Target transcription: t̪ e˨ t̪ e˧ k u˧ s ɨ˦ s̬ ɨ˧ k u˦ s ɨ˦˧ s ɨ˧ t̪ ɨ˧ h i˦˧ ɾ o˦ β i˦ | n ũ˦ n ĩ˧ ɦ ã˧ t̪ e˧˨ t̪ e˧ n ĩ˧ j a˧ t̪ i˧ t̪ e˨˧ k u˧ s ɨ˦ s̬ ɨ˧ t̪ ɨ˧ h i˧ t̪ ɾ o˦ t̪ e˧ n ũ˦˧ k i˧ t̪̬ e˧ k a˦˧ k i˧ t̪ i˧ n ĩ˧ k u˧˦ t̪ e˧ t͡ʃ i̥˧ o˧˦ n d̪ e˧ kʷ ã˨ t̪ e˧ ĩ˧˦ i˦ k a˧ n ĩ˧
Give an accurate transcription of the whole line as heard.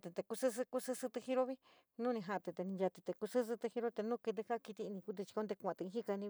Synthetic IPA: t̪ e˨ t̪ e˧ k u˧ s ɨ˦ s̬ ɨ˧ k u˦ s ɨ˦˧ s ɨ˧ t̪ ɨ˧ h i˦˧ ɾ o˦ β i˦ | n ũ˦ n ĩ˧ ɦ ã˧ t̪ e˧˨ t̪ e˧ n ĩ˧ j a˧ t̪ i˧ t̪ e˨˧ k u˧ s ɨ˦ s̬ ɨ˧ t̪ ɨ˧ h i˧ ɾ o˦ t̪ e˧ n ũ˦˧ k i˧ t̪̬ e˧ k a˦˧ k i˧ t̪ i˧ n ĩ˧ k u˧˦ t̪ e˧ t͡ʃ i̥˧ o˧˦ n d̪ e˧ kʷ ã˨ t̪ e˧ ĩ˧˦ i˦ k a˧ n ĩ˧